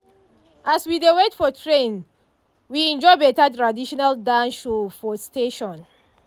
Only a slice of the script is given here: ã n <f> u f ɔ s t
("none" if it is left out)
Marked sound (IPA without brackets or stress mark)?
ʃ